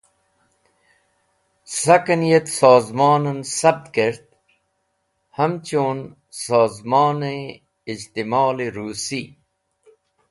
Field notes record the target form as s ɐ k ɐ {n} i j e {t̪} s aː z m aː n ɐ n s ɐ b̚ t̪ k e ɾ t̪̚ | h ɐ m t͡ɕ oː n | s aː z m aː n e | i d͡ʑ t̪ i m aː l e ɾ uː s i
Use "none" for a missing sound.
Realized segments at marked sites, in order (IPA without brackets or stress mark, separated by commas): n, t̪